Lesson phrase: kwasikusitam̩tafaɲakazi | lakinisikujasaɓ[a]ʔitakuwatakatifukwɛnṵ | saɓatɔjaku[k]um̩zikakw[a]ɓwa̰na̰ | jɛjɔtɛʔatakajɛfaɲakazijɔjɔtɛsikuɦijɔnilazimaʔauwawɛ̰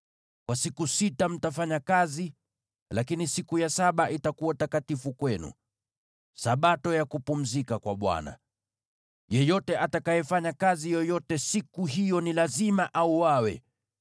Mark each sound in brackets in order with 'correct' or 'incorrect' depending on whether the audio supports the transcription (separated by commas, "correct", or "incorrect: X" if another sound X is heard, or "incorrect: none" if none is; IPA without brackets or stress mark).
correct, incorrect: p, correct